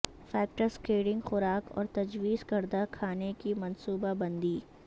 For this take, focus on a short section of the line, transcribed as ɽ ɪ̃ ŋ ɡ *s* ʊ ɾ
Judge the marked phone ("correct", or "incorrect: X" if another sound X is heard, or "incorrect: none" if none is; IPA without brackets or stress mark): incorrect: x